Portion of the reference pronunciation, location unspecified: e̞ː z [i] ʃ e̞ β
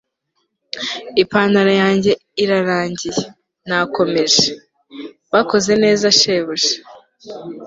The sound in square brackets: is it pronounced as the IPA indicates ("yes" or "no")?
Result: no